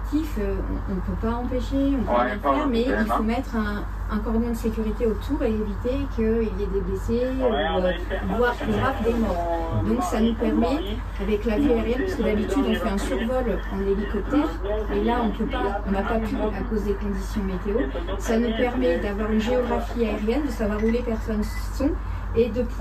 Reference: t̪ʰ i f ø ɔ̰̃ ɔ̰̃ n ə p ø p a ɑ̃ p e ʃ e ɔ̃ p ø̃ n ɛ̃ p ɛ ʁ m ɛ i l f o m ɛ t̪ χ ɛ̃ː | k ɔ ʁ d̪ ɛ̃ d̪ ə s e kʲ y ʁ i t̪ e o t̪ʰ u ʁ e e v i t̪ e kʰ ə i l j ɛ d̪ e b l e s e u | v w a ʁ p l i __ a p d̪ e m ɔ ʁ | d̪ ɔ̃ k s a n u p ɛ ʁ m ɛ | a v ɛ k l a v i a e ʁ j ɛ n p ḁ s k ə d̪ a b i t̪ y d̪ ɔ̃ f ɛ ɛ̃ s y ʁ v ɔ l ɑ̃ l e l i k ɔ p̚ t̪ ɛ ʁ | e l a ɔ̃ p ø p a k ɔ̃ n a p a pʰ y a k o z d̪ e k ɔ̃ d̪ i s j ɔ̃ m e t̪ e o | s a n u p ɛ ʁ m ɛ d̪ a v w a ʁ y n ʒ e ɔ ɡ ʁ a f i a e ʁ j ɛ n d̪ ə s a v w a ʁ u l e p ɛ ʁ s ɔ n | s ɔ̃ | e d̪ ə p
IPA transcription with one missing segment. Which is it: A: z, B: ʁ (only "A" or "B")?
B